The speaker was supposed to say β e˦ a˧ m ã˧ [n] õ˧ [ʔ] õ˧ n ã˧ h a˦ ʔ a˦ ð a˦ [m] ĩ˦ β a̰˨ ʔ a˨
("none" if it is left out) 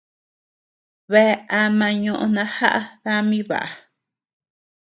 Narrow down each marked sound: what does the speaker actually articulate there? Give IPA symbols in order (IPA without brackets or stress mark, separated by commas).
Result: ɲ, ʔ, m